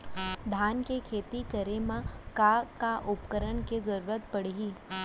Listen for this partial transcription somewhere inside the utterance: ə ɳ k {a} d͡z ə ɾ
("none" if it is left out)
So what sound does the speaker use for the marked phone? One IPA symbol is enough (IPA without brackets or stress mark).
e